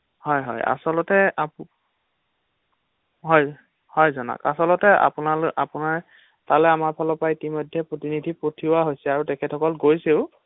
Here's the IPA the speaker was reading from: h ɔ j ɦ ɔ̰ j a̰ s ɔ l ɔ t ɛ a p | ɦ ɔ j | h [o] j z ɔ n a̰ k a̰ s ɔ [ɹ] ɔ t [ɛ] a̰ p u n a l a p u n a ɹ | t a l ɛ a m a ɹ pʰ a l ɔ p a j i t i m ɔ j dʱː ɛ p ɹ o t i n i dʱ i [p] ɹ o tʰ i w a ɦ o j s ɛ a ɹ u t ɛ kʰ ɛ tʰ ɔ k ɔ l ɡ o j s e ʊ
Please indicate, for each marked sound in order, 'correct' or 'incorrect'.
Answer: incorrect, incorrect, correct, correct

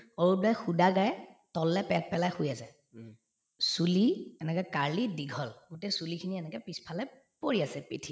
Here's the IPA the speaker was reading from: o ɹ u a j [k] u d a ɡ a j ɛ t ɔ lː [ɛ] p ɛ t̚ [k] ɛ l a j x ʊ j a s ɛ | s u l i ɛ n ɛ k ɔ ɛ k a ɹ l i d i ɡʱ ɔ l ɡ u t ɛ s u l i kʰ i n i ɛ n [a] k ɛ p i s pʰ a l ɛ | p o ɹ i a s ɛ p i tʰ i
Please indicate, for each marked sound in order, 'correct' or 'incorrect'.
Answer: incorrect, correct, incorrect, incorrect

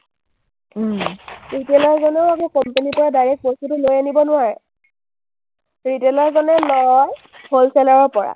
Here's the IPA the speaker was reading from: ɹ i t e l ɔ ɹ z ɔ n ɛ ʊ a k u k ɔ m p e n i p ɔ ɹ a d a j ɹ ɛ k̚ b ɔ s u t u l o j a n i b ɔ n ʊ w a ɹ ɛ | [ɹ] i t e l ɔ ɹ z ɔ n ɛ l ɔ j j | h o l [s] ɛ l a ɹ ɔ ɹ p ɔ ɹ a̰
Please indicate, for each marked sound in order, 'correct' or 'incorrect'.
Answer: correct, correct

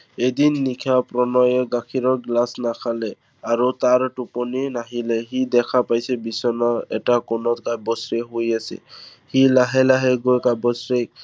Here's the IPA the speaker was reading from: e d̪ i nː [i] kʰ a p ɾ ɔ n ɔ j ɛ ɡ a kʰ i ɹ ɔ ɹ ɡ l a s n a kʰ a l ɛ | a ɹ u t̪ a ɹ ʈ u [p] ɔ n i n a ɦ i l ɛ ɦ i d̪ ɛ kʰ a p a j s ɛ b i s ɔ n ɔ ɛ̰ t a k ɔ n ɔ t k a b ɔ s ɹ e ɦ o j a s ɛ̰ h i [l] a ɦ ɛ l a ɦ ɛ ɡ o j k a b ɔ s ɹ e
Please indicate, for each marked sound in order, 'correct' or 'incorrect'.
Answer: correct, correct, correct

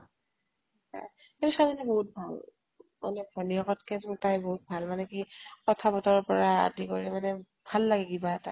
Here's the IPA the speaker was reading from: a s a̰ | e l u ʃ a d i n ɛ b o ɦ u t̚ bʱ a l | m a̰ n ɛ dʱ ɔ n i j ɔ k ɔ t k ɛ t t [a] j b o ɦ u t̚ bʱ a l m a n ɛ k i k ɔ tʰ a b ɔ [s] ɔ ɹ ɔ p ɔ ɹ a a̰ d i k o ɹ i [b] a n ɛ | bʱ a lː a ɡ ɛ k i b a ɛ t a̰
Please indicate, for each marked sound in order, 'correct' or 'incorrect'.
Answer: correct, incorrect, incorrect

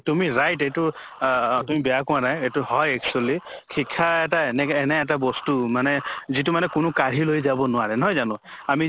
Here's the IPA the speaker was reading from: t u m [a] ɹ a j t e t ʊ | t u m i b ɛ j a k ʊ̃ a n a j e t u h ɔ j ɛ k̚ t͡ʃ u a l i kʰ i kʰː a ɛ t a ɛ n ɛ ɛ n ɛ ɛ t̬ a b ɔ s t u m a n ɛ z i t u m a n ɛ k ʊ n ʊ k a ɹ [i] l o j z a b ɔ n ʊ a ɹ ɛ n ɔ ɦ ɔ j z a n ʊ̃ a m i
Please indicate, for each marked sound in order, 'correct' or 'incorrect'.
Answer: incorrect, correct

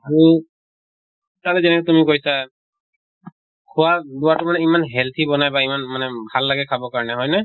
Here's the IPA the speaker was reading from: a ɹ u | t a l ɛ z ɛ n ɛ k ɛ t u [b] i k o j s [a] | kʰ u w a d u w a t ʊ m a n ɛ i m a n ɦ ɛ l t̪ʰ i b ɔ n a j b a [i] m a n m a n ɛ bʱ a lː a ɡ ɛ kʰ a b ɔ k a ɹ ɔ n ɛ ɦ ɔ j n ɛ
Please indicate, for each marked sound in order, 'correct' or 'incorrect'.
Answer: incorrect, correct, correct

